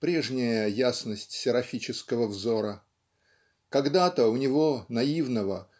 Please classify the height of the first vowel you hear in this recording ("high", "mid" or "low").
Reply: mid